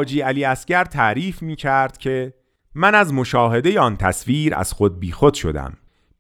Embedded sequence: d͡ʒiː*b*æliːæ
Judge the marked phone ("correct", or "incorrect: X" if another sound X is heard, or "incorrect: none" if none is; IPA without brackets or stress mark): incorrect: none